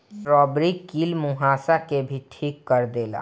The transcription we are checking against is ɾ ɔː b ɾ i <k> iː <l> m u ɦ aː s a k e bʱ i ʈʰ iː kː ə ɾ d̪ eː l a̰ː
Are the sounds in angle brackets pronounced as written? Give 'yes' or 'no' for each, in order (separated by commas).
yes, yes